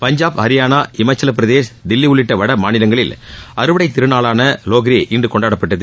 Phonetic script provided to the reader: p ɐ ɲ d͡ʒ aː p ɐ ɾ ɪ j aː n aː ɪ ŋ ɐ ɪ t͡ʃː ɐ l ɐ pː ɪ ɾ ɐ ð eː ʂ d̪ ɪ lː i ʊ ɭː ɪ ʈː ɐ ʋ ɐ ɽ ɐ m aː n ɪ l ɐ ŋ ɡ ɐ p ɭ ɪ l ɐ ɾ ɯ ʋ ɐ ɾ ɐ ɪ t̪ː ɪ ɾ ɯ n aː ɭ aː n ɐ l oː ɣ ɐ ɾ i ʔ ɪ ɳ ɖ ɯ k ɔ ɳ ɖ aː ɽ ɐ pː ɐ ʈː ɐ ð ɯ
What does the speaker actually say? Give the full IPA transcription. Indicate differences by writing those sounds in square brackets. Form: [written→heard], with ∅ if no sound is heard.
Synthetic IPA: p ɐ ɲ d͡ʒ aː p ɐ ɾ ɪ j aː n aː ɪ [ŋ→m] ɐ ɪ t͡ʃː ɐ l ɐ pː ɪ ɾ ɐ ð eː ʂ d̪ ɪ lː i ʊ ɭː ɪ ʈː ɐ ʋ ɐ ɽ ɐ m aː n ɪ l ɐ ŋ ɡ ɐ [p→∅] ɭ ɪ l ɐ ɾ ɯ ʋ ɐ [ɾ→ɽ] ɐ ɪ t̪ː ɪ ɾ ɯ n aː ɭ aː n ɐ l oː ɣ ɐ ɾ i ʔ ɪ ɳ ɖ ɯ k ɔ ɳ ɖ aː ɽ ɐ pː ɐ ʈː ɐ ð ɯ